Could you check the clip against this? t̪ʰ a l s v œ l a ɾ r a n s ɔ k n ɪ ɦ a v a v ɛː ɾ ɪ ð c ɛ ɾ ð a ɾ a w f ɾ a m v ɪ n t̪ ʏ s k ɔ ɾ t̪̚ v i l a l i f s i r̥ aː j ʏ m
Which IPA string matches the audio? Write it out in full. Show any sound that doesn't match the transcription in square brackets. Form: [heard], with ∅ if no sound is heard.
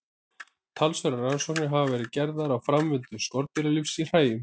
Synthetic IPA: t̪ʰ a l s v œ [ɾ] a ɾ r a n s ɔ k n ɪ ɦ a v a v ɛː ɾ ɪ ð c ɛ ɾ ð a ɾ a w f ɾ a m v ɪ n t̪ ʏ s k ɔ ɾ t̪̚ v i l a l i f s i r̥ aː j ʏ m

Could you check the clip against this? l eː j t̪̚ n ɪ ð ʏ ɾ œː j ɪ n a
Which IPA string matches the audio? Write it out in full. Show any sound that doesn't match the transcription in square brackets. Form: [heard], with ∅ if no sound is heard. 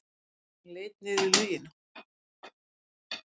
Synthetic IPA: l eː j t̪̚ n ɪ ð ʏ [l] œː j ɪ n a

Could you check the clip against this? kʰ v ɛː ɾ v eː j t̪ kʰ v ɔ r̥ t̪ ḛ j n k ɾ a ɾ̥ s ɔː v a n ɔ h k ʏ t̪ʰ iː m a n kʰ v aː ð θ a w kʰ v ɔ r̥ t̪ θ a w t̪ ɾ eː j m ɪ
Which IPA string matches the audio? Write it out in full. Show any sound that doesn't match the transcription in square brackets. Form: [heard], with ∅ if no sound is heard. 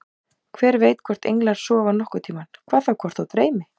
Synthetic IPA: kʰ v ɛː ɾ v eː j t̪ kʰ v ɔ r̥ t̪ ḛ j [ŋ] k [l] a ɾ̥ s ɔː v a n ɔ h k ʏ t̪ʰ iː m a n kʰ v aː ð θ a w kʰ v ɔ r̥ t̪ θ a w t̪ ɾ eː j m ɪ

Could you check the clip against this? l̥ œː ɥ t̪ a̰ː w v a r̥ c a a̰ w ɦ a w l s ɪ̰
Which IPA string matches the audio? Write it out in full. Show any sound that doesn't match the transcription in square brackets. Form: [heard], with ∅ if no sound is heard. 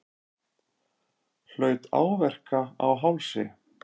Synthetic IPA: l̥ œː ɥ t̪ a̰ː w v [ɛ] r̥ [k] a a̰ w ɦ a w l s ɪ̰

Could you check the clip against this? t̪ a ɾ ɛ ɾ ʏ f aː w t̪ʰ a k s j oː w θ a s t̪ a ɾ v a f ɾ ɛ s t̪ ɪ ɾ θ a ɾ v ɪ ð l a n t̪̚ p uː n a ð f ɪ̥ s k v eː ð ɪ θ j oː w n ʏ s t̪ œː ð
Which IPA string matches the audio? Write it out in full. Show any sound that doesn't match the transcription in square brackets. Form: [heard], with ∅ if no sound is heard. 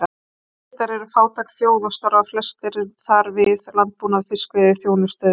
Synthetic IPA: t̪ a ɾ ɛ ɾ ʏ f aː w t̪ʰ a k [θ] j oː w [ð] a s t̪ a ɾ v a f [l] ɛ s t̪ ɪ ɾ θ a ɾ v ɪ ð l a n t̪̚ p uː n a ð f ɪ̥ s k v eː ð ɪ θ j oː w n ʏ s t̪ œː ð

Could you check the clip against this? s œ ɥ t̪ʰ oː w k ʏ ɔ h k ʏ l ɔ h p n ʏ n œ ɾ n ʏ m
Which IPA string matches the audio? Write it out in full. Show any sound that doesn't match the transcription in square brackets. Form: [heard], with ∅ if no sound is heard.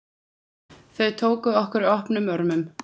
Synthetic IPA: [θ] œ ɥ t̪ʰ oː w k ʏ ɔ h k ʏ [ɾ] ɔ h p n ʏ [m] œ ɾ [m] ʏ m

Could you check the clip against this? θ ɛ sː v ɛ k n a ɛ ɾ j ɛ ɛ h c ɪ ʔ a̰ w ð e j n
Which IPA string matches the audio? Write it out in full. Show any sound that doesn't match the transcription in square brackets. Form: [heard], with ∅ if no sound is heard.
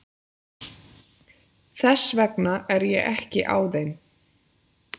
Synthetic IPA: θ ɛ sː v ɛ k n a ɛ ɾ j ɛ ɛ h c ɪ ʔ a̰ w ð e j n

